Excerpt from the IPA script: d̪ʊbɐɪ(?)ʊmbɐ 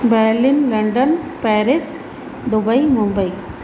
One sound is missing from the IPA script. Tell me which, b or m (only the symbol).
m